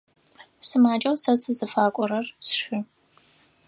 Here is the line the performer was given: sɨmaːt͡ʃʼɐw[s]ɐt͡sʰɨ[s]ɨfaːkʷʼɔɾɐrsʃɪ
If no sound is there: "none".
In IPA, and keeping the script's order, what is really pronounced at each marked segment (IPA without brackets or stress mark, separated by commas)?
s, z